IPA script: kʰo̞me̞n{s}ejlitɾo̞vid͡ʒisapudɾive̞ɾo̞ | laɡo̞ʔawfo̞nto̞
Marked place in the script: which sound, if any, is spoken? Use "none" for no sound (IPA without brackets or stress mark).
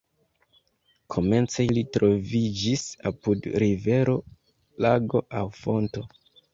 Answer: t͡s